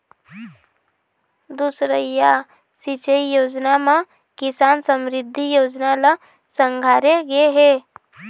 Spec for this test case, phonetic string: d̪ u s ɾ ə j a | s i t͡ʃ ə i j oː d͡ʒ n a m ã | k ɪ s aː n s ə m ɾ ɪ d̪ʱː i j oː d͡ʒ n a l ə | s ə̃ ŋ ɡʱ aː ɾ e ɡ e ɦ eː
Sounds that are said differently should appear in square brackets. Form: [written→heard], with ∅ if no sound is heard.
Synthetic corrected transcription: d̪ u s ɾ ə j a | s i t͡ʃ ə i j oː d͡ʒ n a m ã | k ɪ s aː n s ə m ɾ ɪ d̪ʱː i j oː d͡ʒ n a l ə | s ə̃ ŋ ɡʱ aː ɾ e ɡ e ɦ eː

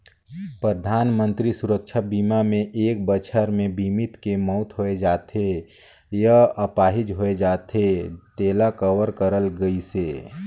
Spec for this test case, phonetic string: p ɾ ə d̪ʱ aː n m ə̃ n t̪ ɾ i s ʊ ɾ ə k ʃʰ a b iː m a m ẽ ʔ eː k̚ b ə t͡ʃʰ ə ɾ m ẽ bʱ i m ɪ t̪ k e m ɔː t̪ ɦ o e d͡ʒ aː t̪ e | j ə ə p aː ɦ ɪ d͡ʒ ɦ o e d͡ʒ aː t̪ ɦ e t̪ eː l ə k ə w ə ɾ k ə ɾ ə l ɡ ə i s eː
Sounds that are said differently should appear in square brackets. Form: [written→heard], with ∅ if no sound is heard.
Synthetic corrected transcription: p ɾ ə d̪ʱ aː n m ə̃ n t̪ ɾ i s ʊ ɾ ə k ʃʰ a b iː m a m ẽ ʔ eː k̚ b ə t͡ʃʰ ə ɾ m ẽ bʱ i m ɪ t̪ k e m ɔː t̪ ɦ o e d͡ʒ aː t̪ e | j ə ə p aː ɦ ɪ d͡ʒ ɦ o e d͡ʒ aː t̪ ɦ e t̪ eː l [ə→a] k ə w ə ɾ k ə ɾ ə l ɡ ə i s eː

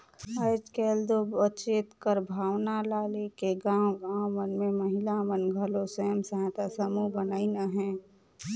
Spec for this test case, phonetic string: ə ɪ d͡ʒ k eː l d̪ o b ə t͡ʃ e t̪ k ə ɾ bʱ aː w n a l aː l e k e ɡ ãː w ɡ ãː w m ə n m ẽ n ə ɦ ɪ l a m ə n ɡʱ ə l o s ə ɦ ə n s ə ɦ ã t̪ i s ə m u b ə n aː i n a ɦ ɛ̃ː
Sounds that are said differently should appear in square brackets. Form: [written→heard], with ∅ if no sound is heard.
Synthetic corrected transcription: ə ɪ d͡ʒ k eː l d̪ o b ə t͡ʃ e t̪ k ə ɾ bʱ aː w n a l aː l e k e ɡ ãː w ɡ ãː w m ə n m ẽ [n→m] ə ɦ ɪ l a m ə n ɡʱ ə l o s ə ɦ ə [n→m] s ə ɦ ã t̪ [i→a] s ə m u b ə n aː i n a ɦ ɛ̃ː

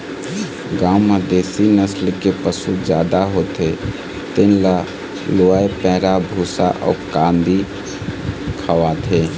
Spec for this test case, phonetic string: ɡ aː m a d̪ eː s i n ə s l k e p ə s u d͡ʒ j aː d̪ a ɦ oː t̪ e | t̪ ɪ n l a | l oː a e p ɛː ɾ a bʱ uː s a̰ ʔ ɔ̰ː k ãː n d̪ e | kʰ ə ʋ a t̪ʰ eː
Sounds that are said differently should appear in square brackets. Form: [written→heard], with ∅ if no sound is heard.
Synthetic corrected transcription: ɡ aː m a d̪ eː s i n ə s l k e p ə s u d͡ʒ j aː d̪ a ɦ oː t̪ e | t̪ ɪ n l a | l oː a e p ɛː ɾ a bʱ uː s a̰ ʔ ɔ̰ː k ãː n d̪ [e→i] | kʰ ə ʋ a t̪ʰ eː

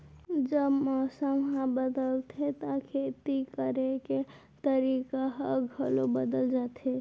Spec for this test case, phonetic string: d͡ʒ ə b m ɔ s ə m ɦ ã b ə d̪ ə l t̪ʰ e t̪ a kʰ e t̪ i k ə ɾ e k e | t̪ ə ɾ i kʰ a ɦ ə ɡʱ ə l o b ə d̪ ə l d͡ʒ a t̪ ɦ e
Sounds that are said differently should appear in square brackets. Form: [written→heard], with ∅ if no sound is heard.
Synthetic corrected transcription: d͡ʒ ə b m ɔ s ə m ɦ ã b ə d̪ ə l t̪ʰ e t̪ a kʰ e t̪ i k ə ɾ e k e | t̪ ə ɾ i [kʰ→k] a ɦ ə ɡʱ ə l o b ə d̪ ə l d͡ʒ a t̪ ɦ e

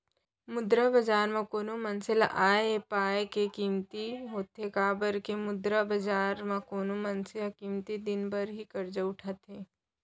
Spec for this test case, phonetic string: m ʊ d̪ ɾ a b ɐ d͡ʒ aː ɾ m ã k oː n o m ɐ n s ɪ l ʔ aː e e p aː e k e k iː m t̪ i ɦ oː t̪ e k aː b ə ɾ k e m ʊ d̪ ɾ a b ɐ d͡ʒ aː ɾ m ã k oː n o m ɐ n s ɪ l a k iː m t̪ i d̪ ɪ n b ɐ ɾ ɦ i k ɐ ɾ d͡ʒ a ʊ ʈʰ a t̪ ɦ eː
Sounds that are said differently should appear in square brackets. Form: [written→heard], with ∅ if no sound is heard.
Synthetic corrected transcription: m ʊ d̪ ɾ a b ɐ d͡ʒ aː ɾ m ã k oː n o m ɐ n s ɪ l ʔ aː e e p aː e k e k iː m t̪ i ɦ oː t̪ e k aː b ə ɾ k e m ʊ d̪ ɾ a b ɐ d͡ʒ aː ɾ m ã k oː n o m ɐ n s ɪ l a k iː m t̪ i d̪ ɪ n b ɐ ɾ ɦ i k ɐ ɾ d͡ʒ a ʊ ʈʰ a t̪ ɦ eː

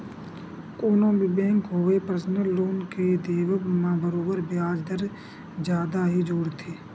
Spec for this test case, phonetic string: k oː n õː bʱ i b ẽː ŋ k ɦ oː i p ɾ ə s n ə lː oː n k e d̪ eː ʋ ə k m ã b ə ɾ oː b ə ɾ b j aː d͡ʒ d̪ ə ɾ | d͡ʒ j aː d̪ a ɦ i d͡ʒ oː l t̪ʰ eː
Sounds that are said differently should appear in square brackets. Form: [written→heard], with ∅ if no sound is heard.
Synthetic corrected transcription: k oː n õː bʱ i b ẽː ŋ k ɦ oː [i→e] p ɾ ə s n ə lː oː n k e d̪ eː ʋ ə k m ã b ə ɾ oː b ə ɾ b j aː d͡ʒ d̪ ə ɾ | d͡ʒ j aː d̪ a ɦ i d͡ʒ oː [l→ɽ] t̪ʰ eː

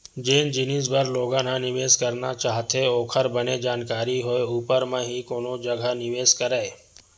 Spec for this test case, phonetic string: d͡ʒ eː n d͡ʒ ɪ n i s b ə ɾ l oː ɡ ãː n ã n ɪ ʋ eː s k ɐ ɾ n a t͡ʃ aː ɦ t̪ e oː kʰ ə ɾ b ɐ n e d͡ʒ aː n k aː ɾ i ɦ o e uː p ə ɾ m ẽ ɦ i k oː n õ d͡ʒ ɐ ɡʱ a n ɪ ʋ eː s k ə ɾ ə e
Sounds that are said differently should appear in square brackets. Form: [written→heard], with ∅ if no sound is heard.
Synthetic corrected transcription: d͡ʒ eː n d͡ʒ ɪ n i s b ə ɾ l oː ɡ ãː n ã n ɪ ʋ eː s k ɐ ɾ n a t͡ʃ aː ɦ t̪ e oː kʰ ə ɾ b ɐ n e d͡ʒ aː n k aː ɾ i ɦ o e uː p ə ɾ m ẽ ɦ i k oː n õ d͡ʒ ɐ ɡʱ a n ɪ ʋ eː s k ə ɾ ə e

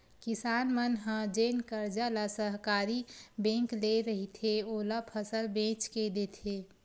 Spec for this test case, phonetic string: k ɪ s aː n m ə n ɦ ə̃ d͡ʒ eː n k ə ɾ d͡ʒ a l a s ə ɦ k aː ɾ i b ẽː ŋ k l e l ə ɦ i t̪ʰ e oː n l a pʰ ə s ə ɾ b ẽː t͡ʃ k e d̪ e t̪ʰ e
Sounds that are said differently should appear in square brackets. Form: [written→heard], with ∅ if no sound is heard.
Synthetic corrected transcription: k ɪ s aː n m ə n ɦ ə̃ d͡ʒ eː n k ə ɾ d͡ʒ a l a s ə ɦ k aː ɾ i b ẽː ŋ k l e [l→ɾ] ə ɦ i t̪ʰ e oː [n→∅] l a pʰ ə s ə [ɾ→l] b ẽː t͡ʃ k e d̪ e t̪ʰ e

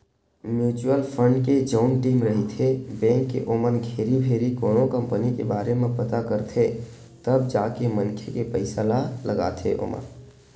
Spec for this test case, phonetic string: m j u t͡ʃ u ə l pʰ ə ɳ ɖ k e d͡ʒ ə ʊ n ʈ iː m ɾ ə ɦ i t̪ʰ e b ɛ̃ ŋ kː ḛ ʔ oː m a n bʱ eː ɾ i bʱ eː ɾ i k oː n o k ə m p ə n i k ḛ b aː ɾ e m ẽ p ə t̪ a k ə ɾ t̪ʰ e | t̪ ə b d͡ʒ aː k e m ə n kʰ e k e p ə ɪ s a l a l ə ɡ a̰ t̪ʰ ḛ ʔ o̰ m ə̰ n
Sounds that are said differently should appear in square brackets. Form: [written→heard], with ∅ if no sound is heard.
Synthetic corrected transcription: m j u t͡ʃ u ə l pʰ ə ɳ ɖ k e d͡ʒ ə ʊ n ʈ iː m ɾ ə ɦ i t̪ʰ e b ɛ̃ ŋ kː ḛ ʔ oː m [a→ə] n [bʱ→ɡʱ] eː ɾ i bʱ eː ɾ i k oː n o k ə m p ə n i k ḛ b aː ɾ e m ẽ p ə t̪ a k ə ɾ t̪ʰ e | t̪ ə b d͡ʒ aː k e m ə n kʰ e k e p ə ɪ s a l a l ə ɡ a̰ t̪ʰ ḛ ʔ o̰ m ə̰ n

